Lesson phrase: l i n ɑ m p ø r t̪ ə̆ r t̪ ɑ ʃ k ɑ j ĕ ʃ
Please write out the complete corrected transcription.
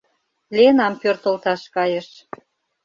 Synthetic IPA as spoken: l e n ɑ m p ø r t̪ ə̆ l t̪ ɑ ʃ k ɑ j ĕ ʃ